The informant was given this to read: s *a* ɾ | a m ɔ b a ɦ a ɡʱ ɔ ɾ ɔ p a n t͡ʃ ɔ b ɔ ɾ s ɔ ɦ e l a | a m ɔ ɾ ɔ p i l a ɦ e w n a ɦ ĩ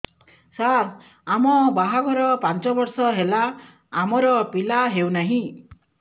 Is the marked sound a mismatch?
no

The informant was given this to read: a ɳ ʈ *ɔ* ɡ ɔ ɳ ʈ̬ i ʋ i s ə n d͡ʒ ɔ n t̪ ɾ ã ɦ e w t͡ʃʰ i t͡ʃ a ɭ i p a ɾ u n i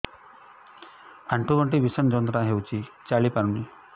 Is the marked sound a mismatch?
yes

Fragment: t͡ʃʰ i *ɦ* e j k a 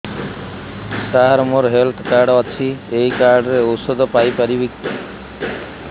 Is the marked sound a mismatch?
yes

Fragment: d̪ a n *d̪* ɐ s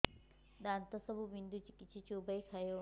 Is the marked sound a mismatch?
yes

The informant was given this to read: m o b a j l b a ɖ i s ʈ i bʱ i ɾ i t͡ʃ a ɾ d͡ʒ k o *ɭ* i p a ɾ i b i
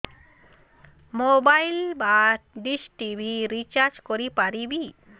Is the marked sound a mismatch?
yes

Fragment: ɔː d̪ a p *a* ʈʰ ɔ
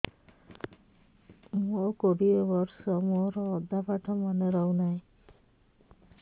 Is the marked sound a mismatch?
no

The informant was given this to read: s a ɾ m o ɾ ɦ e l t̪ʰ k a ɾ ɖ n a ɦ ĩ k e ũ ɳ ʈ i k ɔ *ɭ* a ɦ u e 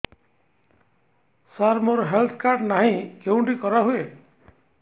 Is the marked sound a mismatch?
yes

